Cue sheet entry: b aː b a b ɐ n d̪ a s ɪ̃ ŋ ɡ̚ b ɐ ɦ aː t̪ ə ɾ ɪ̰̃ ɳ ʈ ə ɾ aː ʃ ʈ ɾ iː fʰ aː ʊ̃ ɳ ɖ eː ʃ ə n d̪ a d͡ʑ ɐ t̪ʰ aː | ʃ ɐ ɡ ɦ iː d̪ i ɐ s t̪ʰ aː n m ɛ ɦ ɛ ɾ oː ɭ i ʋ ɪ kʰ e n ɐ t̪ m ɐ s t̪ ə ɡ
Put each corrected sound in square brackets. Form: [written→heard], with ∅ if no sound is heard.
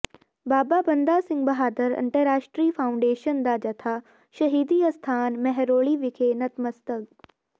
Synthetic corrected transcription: b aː b a b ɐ n d̪ a s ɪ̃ ŋ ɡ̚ b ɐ ɦ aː [t̪→d̪] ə ɾ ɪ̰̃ ɳ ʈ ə ɾ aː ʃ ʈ ɾ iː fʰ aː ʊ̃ ɳ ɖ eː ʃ ə n d̪ a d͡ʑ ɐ t̪ʰ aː | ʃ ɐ [ɡ→∅] ɦ iː d̪ i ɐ s t̪ʰ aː n m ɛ ɦ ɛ ɾ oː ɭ i ʋ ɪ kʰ e n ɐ t̪ m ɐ s t̪ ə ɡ